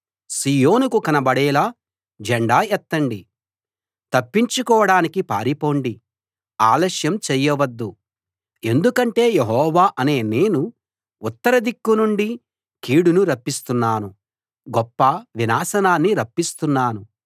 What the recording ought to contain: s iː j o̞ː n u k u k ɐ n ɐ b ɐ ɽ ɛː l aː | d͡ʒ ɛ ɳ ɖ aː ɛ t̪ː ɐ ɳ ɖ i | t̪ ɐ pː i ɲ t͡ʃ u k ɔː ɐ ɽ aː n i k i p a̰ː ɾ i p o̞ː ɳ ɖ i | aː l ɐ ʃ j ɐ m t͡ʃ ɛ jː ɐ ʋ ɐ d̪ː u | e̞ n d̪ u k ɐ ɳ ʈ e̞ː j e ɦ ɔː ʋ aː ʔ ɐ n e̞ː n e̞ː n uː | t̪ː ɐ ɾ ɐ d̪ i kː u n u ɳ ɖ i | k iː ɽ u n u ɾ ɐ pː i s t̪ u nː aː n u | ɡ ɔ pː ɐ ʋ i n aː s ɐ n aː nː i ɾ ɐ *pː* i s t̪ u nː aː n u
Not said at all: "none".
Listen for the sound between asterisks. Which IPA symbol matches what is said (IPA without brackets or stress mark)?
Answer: pː